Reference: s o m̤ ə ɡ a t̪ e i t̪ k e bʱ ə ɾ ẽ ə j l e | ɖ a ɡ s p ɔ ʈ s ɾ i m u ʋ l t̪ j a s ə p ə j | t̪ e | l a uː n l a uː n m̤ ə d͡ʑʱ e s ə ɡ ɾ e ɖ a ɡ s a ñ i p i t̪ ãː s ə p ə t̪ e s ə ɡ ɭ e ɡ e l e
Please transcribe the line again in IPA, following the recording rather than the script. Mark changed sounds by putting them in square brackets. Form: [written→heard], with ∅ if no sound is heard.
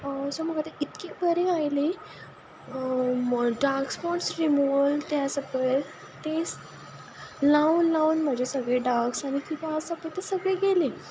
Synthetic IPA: s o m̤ ə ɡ a t̪ e i t̪ k e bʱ ə ɾ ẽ [ə→a] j l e | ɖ a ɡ s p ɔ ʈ s ɾ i m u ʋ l t̪ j a s ə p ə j | t̪ e | l a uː n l a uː n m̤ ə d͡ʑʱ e s ə ɡ [ɾ→ɭ] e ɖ a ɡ s a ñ i [p→k] i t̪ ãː s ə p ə t̪ e s ə ɡ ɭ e ɡ e l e